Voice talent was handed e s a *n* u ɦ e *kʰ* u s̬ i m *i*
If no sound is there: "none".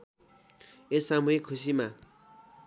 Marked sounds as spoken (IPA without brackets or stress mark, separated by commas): m, kʰ, a